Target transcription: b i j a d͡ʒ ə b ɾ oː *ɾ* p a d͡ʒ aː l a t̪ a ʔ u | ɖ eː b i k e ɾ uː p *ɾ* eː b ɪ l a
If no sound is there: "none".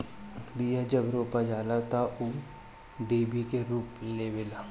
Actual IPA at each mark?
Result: none, l

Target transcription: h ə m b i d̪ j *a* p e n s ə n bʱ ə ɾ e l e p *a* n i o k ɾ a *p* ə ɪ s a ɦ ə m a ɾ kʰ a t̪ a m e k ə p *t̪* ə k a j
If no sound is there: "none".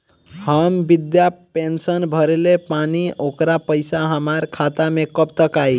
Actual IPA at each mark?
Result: a, a, p, t̪

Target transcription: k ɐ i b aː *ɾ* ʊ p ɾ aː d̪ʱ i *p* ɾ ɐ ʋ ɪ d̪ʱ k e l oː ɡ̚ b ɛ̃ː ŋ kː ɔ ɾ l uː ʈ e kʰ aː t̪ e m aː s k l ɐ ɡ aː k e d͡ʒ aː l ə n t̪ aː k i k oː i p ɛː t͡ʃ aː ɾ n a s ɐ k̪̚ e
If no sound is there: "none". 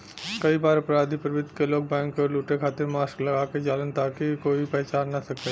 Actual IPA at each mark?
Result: ɾ, p

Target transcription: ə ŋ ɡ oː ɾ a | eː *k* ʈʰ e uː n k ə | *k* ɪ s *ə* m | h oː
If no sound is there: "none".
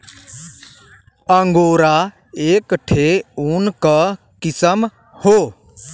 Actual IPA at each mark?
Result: k, k, ə

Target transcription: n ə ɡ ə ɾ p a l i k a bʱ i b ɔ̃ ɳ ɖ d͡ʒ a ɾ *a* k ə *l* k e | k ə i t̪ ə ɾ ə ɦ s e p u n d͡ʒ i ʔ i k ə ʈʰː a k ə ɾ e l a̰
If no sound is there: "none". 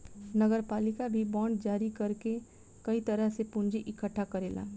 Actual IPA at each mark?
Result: i, ɾ

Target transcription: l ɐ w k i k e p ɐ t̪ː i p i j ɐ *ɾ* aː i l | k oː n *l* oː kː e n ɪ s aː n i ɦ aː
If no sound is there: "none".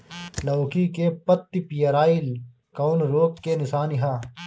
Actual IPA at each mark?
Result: ɾ, ɾ

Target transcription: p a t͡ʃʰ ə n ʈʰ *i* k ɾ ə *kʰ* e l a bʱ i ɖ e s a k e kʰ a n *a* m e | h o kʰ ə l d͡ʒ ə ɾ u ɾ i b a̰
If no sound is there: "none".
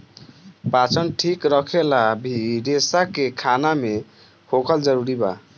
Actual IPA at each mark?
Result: i, kʰ, a

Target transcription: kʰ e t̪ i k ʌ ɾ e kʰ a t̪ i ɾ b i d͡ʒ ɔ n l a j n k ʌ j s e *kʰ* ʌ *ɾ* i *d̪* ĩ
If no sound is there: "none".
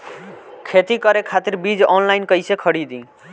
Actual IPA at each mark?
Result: kʰ, ɽ, d̪

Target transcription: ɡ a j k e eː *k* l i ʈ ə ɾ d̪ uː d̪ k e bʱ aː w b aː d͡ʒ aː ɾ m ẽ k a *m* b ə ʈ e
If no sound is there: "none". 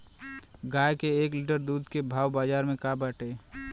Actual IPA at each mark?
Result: k, none

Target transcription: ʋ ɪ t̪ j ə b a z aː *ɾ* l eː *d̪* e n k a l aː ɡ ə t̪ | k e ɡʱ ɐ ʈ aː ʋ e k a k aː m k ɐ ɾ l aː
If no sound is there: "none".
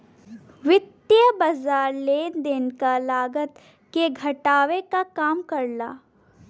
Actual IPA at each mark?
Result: ɾ, d̪

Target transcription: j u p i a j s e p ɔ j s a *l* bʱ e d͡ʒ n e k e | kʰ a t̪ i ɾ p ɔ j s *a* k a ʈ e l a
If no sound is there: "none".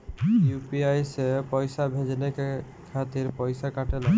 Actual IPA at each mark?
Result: none, a

